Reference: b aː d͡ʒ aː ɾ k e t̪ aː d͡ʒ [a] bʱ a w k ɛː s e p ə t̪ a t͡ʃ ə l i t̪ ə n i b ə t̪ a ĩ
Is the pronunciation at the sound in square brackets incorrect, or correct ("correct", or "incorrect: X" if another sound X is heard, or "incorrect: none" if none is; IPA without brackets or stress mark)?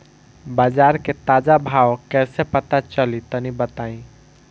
correct